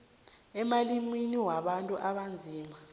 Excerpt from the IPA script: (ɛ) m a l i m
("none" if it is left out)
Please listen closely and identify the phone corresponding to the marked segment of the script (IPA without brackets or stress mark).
ɛ